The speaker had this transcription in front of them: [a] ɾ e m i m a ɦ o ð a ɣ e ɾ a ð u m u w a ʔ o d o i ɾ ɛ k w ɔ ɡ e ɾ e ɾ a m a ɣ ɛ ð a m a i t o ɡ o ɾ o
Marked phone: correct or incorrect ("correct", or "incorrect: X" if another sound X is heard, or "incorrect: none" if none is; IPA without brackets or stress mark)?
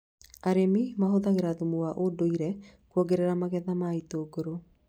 correct